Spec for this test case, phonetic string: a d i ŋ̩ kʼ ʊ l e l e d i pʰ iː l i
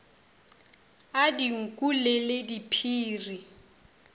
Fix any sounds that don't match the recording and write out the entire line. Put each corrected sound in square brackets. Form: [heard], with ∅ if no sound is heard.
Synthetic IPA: a d i ŋ̩ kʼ [u] l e l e d i pʰ iː [r] i